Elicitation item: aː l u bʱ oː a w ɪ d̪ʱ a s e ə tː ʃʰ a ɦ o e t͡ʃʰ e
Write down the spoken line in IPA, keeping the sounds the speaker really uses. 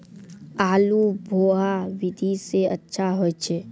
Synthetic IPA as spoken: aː l u bʱ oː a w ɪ d̪ʱ i s e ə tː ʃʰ a ɦ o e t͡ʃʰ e